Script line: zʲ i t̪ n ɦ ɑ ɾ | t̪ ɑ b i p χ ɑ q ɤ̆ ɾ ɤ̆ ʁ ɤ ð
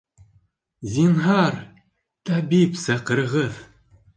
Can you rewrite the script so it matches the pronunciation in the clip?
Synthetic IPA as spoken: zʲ i n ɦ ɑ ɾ | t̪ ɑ b i p s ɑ q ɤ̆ ɾ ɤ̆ ʁ ɤ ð